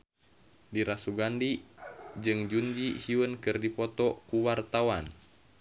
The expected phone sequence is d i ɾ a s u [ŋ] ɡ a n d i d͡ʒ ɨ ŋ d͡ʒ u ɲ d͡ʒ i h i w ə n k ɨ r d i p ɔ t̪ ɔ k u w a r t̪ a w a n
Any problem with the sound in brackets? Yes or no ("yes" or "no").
yes